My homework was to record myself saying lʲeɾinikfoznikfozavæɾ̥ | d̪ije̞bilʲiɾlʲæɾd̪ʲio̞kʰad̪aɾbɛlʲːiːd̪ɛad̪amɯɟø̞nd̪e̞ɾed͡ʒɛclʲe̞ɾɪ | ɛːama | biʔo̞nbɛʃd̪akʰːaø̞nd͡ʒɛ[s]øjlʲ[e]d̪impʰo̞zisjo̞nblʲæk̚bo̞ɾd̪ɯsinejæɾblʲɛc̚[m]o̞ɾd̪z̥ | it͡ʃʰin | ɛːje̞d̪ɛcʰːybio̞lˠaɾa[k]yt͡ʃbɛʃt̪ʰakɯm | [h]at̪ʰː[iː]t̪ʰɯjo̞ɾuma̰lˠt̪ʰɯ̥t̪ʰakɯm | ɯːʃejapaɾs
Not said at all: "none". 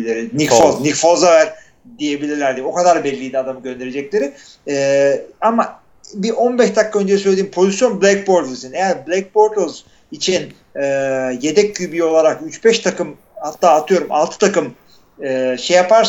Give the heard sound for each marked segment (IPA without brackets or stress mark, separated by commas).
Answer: s, e, b, k, h, aː